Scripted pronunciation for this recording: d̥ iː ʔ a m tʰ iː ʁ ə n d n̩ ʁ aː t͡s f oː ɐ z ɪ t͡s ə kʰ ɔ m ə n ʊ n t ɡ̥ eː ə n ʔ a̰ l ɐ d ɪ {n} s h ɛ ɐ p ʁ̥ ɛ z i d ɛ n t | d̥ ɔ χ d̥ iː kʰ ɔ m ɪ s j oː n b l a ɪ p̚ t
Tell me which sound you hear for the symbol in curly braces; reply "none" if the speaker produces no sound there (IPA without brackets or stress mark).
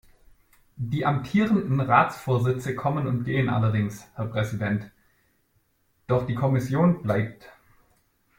ŋ